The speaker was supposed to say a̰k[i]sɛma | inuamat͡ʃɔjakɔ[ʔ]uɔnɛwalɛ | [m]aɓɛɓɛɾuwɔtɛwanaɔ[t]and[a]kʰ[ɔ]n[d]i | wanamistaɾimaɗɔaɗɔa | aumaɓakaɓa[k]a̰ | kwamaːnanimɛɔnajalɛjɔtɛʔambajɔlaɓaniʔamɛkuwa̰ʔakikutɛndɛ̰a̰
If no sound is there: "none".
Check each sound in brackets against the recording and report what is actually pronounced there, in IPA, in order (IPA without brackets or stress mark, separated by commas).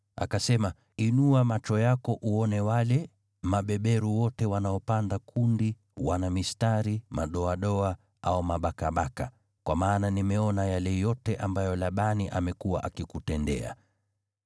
a, ʔ, m, p, a, u, d, k